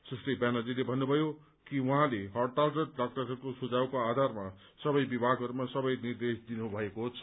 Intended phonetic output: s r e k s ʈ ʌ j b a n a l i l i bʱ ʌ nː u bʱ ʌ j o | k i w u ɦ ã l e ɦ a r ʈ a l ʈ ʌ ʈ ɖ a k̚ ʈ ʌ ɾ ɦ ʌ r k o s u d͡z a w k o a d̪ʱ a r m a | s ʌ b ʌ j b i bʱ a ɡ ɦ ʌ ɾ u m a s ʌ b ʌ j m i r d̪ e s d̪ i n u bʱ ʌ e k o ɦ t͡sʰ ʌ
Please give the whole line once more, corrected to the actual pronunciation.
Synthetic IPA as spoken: s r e s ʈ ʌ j b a n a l i l e bʱ ʌ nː u bʱ ʌ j o | k i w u ɦ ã l e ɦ ʌ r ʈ a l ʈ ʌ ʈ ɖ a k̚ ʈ ʌ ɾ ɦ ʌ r k o s u d͡z a w k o a d̪ʱ a r m a | s ʌ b ʌ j b i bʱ a ɡ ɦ ʌ ɾ u m a s ʌ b ʌ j n i r d̪ e s d̪ i n u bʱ ʌ e k o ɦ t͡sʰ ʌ